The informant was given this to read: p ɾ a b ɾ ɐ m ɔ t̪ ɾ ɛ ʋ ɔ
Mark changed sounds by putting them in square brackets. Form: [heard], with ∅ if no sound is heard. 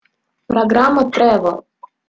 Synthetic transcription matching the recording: p ɾ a [ɡ] ɾ [a] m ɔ t̪ ɾ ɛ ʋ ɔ